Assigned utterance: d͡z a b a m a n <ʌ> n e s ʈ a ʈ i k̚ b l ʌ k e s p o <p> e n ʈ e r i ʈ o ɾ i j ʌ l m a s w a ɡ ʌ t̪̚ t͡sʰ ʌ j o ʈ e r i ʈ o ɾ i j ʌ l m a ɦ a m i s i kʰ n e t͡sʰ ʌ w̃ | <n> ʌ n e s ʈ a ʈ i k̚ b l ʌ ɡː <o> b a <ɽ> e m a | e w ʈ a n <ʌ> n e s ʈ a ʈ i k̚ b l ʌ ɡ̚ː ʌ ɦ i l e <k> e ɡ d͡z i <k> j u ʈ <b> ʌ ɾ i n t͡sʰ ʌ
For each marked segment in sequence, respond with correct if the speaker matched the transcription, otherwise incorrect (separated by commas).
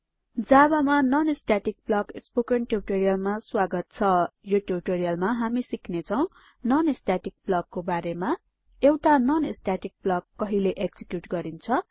correct, incorrect, correct, correct, incorrect, correct, incorrect, correct, incorrect